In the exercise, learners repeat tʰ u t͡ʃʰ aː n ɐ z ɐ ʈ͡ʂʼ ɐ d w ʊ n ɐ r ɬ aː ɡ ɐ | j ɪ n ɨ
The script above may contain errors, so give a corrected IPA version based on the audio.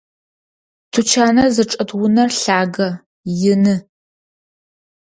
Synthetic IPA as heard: tʰ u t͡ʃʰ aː n ɐ z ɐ ʈ͡ʂʼ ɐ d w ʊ n ɐ r ɬ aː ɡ ɐ | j ɪ n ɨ